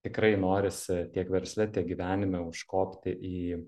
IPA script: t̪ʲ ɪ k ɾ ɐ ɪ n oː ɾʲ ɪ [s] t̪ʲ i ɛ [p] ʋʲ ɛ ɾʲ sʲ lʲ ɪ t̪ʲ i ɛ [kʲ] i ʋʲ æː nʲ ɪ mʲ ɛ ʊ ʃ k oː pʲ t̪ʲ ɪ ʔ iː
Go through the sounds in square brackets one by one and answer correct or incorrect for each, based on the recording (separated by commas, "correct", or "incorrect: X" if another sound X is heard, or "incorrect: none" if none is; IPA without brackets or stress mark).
correct, incorrect: k, incorrect: ɡʲ